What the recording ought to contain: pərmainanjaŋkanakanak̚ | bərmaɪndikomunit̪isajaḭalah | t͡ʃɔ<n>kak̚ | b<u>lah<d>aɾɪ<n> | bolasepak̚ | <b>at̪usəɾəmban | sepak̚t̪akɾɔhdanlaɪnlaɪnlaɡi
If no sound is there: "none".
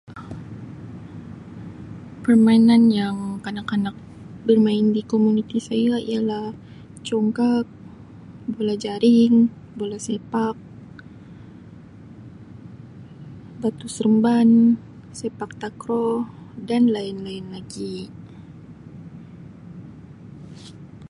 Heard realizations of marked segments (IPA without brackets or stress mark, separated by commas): ŋ, o, d͡ʒ, ŋ, b